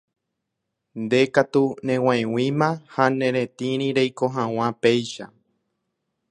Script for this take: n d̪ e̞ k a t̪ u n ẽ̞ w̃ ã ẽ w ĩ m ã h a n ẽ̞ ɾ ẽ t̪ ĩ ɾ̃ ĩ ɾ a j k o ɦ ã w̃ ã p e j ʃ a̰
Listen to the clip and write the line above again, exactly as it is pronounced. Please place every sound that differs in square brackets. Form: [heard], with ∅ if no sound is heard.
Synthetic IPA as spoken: n d̪ e̞ k a t̪ u n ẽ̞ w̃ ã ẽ w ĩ m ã h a n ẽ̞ ɾ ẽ t̪ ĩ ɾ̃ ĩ ɾ [e] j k o ɦ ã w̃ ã p e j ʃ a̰